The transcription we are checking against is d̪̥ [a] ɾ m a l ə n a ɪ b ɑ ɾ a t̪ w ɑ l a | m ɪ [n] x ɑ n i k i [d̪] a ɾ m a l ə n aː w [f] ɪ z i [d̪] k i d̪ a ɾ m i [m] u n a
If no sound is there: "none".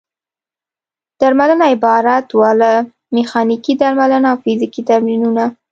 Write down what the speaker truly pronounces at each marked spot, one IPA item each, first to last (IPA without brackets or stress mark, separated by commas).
a, none, d̪, f, none, n